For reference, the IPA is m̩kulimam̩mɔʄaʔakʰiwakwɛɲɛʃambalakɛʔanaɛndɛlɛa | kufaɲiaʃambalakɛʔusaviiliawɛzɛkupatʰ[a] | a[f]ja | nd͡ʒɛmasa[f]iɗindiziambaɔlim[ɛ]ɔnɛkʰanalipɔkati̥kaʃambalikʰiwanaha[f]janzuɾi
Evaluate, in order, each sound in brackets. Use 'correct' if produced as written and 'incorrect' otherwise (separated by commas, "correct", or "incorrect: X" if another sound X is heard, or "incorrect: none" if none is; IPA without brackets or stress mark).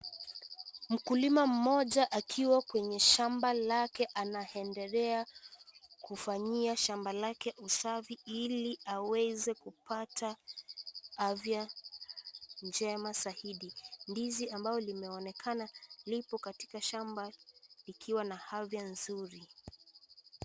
correct, incorrect: v, incorrect: h, correct, incorrect: v